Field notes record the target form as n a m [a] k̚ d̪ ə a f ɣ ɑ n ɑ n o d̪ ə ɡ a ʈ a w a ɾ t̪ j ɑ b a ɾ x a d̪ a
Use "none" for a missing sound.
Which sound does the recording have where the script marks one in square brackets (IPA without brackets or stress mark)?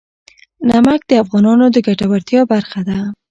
a